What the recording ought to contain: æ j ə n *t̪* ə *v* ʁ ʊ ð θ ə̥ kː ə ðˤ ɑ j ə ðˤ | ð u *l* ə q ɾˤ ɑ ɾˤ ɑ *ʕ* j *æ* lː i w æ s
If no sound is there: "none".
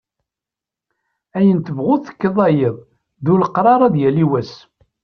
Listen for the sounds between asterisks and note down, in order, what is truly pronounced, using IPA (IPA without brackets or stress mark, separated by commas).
t̪, v, l, ð, æ